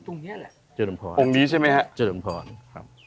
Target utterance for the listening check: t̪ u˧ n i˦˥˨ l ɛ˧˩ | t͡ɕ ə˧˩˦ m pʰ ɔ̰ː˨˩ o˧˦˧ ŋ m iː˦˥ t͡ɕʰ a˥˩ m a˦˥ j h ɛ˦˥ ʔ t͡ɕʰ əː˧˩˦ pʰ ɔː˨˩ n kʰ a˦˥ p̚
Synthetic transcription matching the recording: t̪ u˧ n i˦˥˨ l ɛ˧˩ | t͡ɕ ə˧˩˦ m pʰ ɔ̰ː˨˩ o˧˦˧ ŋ n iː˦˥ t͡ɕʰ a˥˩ m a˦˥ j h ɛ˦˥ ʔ t͡ɕ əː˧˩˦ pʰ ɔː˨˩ n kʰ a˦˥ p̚